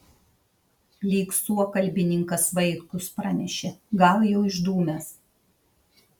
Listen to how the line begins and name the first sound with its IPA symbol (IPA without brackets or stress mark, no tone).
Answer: lʲ